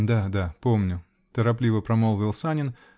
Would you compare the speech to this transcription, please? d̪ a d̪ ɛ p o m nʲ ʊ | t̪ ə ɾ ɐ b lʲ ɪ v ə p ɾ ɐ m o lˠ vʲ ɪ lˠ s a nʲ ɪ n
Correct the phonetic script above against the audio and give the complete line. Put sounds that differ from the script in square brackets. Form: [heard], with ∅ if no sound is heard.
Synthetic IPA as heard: d̪ a d̪ [a] p o m nʲ ʊ | t̪ ə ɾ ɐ [p] lʲ [i] v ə p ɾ ɐ m o lˠ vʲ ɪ lˠ s a nʲ ɪ n